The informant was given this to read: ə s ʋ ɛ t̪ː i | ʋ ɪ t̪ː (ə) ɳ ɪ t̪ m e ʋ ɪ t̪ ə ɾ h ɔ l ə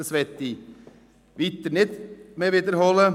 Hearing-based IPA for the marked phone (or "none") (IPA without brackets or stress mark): ə